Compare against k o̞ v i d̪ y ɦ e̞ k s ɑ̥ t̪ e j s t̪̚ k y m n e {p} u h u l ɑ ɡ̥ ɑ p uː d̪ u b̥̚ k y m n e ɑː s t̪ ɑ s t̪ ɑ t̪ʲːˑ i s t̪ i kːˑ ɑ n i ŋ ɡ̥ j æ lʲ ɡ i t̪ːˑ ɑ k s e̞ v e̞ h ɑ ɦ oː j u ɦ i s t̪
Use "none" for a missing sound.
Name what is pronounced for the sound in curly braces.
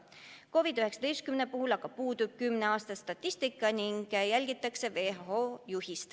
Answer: p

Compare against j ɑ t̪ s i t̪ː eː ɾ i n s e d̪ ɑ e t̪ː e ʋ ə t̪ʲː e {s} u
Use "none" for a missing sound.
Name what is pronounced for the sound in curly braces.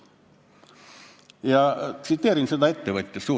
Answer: s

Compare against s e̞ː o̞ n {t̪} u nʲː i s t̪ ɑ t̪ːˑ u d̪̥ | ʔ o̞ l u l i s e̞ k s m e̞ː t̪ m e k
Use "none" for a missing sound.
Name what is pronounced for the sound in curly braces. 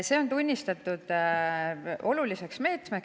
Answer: t̪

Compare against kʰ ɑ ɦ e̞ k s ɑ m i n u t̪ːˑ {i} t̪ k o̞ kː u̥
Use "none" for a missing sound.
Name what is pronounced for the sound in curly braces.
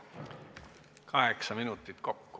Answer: i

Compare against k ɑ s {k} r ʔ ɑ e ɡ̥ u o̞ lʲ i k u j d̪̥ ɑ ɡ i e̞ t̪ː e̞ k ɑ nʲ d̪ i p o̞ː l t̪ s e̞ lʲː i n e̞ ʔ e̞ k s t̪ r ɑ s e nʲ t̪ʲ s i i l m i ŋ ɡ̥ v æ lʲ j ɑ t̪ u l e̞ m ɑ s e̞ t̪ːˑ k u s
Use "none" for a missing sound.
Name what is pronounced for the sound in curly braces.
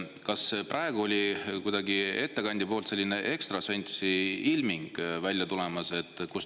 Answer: p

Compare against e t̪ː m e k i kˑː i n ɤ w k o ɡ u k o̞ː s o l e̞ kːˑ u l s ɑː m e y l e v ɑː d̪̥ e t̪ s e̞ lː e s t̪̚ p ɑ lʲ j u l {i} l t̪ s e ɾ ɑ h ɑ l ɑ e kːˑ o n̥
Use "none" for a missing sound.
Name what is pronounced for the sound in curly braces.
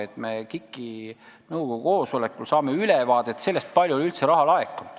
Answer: y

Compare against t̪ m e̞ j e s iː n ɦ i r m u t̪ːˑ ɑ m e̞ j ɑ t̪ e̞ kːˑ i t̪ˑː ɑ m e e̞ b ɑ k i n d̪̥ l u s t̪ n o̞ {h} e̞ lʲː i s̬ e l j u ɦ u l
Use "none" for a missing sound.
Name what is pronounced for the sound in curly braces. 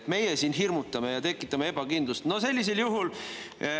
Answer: s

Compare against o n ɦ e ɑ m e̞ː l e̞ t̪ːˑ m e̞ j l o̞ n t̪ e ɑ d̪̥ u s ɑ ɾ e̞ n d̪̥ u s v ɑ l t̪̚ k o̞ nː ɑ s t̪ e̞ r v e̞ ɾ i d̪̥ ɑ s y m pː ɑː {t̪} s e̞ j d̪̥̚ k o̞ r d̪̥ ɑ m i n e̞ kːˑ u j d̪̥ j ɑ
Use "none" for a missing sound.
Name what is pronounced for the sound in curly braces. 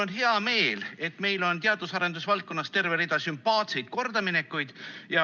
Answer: t̪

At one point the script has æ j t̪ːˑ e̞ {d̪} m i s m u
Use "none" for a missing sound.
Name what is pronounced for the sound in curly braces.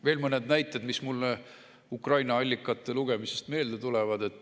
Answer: d̪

